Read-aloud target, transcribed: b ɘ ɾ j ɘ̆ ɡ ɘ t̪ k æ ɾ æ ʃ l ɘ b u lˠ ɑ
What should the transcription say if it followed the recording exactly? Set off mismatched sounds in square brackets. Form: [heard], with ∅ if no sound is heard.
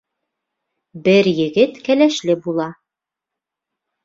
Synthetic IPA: b ɘ ɾ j ɘ̆ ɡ ɘ t̪ k æ [l] æ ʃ l ɘ b u lˠ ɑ